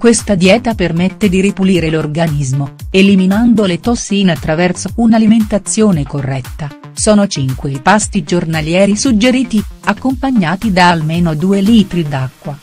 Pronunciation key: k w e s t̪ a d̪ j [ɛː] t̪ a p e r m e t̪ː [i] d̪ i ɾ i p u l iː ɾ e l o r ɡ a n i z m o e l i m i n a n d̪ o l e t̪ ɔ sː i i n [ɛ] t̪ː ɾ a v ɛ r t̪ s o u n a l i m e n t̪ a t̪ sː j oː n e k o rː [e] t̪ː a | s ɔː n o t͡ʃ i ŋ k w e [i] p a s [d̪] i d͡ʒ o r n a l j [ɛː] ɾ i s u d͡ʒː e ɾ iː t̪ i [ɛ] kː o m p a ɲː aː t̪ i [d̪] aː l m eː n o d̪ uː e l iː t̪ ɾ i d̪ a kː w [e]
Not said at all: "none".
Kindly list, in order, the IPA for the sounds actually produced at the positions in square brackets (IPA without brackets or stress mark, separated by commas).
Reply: ɛː, e, a, ɛ, i, t̪, ɛː, a, d̪, a